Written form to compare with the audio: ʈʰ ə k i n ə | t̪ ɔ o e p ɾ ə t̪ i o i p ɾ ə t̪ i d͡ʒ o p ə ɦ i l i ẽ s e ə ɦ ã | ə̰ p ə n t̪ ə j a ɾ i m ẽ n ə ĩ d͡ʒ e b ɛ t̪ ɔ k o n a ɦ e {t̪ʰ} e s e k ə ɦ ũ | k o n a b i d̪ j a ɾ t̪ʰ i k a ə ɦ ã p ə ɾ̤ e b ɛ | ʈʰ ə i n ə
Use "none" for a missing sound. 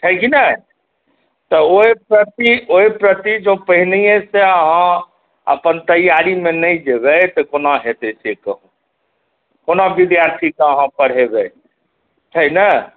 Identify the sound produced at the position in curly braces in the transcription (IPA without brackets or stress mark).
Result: t̪